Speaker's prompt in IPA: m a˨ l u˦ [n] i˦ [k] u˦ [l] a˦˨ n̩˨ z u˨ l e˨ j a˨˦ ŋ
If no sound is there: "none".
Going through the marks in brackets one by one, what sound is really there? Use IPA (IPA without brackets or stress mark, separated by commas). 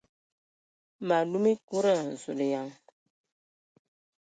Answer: m, k, ɾ